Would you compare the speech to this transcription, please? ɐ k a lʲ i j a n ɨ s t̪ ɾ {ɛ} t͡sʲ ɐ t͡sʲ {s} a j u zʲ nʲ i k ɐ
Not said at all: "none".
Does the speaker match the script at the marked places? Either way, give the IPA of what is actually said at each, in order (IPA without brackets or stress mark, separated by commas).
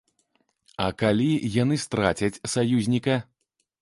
a, s